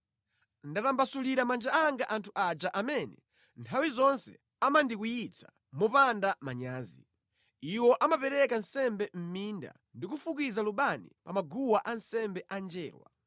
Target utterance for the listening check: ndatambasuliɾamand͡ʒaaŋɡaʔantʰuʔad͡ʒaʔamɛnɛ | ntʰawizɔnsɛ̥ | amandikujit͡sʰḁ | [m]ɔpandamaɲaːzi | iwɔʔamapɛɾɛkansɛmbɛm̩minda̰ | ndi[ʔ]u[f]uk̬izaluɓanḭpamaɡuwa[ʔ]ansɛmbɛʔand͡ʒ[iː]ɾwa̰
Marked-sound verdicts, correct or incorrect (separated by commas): correct, incorrect, correct, correct, incorrect